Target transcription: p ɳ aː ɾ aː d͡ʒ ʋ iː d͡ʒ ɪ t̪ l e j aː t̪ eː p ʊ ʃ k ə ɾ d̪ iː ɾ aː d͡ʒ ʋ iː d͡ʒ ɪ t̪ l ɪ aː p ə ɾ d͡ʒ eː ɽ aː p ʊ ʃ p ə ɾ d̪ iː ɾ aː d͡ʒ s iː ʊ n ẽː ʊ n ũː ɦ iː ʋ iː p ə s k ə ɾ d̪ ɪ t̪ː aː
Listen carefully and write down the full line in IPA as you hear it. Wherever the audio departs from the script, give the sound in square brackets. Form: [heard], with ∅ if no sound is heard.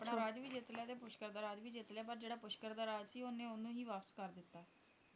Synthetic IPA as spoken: p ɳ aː ɾ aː d͡ʒ ʋ iː d͡ʒ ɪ t̪ l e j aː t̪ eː p ʊ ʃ k ə ɾ d̪ [aː] ɾ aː d͡ʒ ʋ iː d͡ʒ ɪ t̪ l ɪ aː p ə ɾ d͡ʒ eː ɽ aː p ʊ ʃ [k] ə ɾ d̪ [aː] ɾ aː d͡ʒ s iː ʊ n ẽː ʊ n ũː ɦ iː ʋ [aː] p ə s k ə ɾ d̪ ɪ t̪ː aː